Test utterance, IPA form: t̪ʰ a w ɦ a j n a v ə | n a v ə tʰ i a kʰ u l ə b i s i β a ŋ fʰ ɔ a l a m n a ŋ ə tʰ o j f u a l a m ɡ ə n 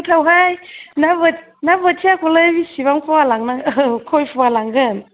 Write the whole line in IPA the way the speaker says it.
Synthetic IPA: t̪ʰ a w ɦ a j n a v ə | n a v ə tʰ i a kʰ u l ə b i s i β a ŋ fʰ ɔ a l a ŋ n a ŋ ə kʰ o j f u a l a ŋ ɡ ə n